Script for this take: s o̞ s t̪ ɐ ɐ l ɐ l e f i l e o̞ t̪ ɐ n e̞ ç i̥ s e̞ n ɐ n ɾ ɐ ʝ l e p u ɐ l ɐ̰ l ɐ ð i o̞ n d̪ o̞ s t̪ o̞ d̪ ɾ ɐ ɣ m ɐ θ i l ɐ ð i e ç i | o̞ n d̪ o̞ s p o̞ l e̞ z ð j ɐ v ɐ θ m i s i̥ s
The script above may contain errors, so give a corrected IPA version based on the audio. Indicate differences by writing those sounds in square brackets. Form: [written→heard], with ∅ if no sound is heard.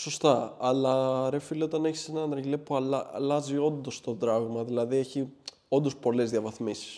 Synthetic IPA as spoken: s o̞ s t̪ ɐ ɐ l ɐ [l→ɾ] e f i l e o̞ t̪ ɐ n e̞ ç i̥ s e̞ n ɐ n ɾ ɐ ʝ l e p u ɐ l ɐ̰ l ɐ [ð→z] i o̞ n d̪ o̞ s t̪ o̞ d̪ ɾ ɐ ɣ m ɐ [θ→ð] i l ɐ ð i e ç i | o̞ n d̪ o̞ s p o̞ l e̞ z ð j ɐ v ɐ θ m i s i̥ s